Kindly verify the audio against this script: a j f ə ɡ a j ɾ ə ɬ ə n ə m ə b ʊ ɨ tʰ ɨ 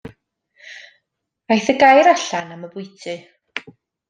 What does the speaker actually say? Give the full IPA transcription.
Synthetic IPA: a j θ ə ɡ a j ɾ a ɬ a n a m ə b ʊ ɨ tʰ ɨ